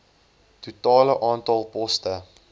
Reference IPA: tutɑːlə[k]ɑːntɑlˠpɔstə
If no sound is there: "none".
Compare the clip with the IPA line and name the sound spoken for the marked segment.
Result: ʔ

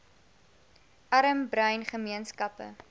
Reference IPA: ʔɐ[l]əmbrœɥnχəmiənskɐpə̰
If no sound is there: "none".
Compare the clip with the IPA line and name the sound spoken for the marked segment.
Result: ɾ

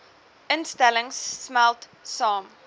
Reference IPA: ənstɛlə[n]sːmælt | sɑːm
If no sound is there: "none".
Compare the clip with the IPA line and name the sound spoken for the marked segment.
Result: ŋ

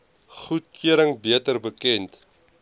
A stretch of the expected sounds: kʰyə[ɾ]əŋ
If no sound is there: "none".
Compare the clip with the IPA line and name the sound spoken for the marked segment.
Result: ɾ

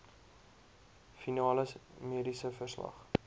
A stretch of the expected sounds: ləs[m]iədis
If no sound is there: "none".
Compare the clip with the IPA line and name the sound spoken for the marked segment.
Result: m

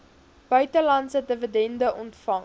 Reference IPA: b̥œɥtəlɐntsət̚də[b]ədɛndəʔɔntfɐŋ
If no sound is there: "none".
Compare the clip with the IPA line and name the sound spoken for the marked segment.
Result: v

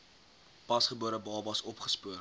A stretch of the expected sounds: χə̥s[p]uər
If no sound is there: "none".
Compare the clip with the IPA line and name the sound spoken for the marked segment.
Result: p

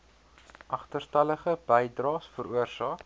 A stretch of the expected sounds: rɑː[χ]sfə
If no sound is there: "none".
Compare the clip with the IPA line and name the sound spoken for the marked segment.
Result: none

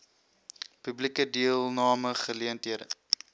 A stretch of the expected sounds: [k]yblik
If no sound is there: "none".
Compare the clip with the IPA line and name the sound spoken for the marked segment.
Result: p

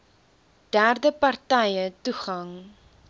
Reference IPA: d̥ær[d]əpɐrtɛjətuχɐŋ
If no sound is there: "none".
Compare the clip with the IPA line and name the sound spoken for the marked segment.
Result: d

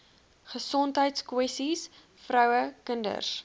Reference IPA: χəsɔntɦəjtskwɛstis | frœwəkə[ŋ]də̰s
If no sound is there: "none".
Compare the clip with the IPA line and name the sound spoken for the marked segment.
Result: n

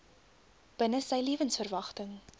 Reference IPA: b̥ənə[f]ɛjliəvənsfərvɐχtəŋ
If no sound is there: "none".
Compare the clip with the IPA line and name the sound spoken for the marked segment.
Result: s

